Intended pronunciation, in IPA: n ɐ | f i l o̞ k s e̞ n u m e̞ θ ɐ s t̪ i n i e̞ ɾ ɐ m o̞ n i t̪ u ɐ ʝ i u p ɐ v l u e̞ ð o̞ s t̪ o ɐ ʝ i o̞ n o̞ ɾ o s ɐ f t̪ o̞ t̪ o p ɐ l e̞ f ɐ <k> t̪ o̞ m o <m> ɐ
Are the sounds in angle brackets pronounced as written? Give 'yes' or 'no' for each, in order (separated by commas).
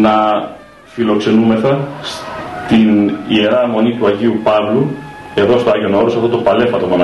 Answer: no, no